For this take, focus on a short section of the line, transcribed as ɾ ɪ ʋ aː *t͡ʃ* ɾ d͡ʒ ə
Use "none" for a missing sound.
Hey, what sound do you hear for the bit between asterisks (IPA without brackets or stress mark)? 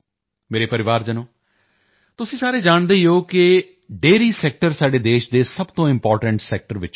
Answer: none